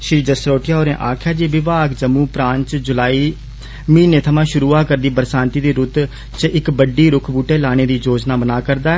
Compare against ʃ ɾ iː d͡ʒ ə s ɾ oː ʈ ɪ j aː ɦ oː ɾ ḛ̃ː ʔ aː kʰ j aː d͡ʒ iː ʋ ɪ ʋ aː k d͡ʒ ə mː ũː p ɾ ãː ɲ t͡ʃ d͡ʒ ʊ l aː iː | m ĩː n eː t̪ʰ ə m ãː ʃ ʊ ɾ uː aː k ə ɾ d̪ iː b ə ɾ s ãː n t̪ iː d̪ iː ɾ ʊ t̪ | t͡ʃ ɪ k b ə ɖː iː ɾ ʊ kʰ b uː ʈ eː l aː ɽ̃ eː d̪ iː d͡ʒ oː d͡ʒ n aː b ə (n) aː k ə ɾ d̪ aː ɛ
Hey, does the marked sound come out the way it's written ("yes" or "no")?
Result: yes